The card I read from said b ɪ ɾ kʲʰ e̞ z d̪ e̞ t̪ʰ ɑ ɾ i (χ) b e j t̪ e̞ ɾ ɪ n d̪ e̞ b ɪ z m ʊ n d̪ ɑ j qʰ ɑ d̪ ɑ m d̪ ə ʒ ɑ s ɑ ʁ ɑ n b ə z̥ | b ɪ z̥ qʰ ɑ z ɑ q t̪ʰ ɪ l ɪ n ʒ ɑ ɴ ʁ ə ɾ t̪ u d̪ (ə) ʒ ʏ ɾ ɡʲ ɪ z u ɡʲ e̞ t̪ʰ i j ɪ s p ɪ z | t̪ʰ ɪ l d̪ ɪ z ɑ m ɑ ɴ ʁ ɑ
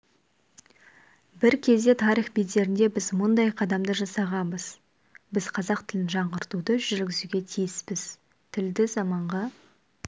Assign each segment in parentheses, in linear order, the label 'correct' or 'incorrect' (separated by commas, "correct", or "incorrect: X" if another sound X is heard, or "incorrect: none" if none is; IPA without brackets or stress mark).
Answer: correct, correct